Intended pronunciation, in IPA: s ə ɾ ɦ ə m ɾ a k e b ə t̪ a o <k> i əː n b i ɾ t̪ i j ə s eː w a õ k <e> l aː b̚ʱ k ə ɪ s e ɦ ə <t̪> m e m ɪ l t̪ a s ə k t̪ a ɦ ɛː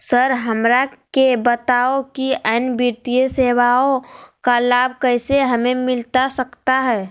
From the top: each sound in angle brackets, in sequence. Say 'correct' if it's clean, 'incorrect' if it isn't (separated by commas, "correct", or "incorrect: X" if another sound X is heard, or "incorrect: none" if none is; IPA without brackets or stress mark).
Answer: correct, incorrect: a, incorrect: none